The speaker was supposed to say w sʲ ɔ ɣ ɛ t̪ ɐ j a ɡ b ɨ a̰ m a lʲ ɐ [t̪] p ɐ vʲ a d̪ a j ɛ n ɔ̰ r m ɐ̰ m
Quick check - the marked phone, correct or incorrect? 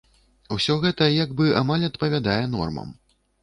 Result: correct